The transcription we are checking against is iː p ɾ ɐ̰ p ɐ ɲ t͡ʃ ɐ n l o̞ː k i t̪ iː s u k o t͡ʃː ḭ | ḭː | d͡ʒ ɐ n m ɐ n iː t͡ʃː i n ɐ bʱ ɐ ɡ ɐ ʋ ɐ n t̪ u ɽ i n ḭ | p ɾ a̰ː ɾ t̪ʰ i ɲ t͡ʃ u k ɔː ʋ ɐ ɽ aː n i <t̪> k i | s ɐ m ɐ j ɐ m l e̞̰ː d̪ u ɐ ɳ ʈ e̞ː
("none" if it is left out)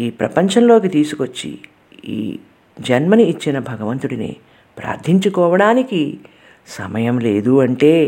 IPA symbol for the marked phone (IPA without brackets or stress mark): none